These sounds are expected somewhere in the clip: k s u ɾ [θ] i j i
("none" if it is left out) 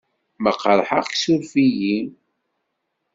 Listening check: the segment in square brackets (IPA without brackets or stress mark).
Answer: f